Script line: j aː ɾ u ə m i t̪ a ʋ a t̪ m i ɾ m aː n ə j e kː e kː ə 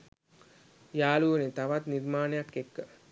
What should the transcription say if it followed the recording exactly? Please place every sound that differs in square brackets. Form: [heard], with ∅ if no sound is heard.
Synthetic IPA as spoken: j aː [l] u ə [n] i t̪ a ʋ a t̪ [n] i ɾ m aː n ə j [a] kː e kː ə